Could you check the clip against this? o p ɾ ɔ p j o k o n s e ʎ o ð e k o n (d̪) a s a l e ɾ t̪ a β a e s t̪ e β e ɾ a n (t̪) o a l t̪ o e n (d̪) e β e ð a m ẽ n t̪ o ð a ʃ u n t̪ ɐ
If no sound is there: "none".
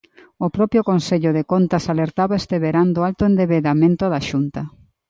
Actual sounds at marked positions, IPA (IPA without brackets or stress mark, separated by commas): t̪, d̪, d̪